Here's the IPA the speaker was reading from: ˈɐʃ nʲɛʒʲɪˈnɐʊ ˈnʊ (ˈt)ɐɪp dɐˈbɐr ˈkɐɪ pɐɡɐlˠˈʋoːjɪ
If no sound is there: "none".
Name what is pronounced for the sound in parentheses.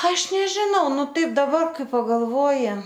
t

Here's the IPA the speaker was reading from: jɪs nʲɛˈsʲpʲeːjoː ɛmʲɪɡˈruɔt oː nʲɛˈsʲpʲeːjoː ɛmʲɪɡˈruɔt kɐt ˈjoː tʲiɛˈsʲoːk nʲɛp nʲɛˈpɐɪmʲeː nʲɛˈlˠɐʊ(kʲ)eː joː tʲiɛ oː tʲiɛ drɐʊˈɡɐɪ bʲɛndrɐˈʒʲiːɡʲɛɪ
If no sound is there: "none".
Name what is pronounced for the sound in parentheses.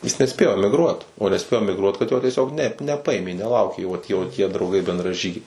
kʲ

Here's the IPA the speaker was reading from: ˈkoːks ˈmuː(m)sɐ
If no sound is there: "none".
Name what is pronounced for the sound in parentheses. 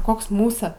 none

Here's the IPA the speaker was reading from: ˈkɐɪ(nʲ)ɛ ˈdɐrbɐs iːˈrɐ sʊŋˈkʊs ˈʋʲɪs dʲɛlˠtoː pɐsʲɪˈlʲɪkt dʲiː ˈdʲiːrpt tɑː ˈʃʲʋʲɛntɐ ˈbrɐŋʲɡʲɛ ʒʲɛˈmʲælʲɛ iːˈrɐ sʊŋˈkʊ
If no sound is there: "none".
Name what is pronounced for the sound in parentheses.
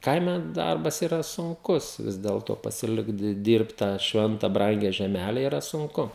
mʲ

